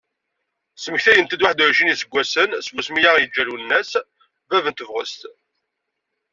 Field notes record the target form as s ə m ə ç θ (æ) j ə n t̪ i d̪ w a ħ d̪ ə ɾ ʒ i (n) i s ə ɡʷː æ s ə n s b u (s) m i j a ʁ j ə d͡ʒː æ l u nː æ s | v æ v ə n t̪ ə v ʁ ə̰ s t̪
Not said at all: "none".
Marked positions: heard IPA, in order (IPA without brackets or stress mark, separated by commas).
æ, n, s